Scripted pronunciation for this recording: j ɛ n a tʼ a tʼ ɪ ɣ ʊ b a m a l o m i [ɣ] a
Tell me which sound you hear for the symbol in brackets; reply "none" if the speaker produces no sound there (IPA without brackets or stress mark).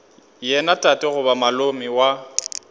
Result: w